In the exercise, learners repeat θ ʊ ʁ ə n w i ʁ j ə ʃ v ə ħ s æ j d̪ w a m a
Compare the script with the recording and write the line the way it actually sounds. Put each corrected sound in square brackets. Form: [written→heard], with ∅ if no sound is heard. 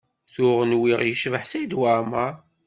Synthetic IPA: θ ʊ ʁ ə n w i ʁ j ə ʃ v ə ħ s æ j d̪ w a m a